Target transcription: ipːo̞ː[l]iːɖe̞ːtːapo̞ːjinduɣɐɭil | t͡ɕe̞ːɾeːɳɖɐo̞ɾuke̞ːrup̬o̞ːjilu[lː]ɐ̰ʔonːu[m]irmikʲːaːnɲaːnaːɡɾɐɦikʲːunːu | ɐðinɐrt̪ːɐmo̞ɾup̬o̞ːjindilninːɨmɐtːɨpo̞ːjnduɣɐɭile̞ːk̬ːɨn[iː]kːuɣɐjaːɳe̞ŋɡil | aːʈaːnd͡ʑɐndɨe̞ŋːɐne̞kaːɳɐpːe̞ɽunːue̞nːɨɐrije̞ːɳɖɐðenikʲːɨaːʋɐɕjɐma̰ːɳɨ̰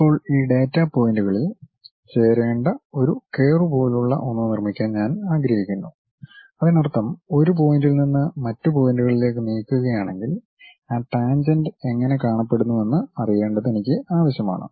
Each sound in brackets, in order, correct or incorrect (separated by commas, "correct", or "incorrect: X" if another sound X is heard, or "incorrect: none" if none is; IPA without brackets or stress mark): incorrect: ɭ, incorrect: ɭː, incorrect: n, correct